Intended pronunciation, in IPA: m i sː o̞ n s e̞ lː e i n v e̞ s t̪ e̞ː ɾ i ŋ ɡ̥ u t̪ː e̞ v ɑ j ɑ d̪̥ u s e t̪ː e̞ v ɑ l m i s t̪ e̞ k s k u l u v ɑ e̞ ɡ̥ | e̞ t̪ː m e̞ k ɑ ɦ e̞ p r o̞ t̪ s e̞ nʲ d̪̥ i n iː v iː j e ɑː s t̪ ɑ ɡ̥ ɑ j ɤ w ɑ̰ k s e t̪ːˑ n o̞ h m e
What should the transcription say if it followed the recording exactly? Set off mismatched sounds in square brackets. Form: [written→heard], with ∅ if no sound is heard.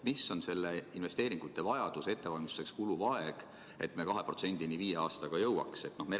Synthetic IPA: m i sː o̞ n s e̞ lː e i n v e̞ s t̪ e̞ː ɾ i ŋ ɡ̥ u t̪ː e̞ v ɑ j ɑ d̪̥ u s e t̪ː e̞ v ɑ l m i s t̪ e̞ k s k u l u v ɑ e̞ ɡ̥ | e̞ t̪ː m e̞ k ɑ ɦ e̞ p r o̞ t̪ s e̞ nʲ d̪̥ i n [iː→i] v iː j e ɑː s t̪ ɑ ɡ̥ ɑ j ɤ w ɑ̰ k s e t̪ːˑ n o̞ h m e